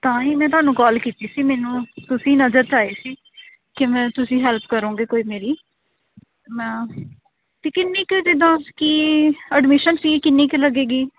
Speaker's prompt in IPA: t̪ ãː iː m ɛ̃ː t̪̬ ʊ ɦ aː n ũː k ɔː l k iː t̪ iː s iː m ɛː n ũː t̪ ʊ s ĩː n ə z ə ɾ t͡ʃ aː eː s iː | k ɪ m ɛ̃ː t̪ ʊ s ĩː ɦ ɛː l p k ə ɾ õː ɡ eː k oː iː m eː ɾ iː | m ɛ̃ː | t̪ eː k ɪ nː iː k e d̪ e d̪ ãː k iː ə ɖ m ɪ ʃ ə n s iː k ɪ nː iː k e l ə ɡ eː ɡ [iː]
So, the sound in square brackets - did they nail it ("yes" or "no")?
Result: yes